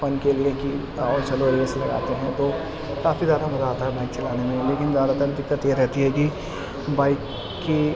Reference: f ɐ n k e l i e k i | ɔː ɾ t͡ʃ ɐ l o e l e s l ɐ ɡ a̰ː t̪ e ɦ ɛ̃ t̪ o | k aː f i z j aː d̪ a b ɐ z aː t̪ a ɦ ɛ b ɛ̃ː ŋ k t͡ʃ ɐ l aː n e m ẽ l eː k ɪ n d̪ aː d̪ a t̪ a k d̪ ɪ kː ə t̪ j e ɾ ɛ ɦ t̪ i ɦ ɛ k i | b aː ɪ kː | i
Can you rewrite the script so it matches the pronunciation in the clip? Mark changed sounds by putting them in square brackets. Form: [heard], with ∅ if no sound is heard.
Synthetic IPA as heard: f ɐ n k e l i e k i | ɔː ɾ t͡ʃ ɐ l o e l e s l ɐ ɡ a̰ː t̪ e ɦ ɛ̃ t̪ o | k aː f i z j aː d̪ a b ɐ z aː t̪ a ɦ ɛ b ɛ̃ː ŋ k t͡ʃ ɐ l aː n e m ẽ l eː k ɪ n d̪ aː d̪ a t̪ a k d̪ ɪ kː ə t̪ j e ɾ ɛ ɦ t̪ i ɦ ɛ k i | b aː ɪ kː | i